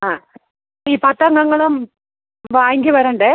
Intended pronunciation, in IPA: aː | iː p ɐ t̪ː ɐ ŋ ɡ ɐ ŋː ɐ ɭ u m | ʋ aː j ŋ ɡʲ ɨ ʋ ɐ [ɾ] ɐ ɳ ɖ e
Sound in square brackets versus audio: correct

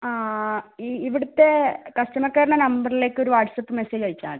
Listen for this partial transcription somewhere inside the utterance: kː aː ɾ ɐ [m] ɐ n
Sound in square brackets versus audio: incorrect: ɳ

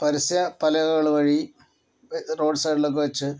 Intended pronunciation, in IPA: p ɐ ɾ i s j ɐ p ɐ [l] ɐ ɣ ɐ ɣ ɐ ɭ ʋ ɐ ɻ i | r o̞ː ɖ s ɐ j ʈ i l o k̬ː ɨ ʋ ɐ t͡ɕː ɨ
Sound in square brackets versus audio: correct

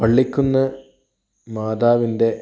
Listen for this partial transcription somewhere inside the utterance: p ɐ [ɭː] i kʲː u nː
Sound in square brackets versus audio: correct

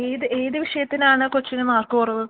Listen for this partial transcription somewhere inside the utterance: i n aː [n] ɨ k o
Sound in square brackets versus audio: incorrect: ɳ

